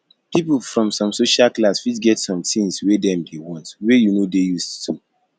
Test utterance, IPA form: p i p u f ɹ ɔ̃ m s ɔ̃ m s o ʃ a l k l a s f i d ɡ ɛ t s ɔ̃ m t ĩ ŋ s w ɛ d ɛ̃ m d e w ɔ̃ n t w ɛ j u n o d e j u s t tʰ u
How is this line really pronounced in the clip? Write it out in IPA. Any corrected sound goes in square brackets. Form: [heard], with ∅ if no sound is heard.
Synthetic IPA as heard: p i p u f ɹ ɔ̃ m s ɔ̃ m s o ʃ a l k l a s f i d ɡ ɛ t s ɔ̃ m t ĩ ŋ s w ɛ d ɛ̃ m d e w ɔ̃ n t w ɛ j u n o d e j u s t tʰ u